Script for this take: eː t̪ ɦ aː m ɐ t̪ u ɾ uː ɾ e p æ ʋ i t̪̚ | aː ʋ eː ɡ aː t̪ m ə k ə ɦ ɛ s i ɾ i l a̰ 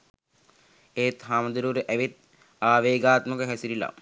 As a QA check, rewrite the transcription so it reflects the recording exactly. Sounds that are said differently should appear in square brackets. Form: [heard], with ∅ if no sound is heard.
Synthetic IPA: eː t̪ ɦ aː m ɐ [d̪] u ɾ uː ɾ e [ʔ] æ ʋ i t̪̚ | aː ʋ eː ɡ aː t̪ m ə k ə ɦ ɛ s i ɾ i l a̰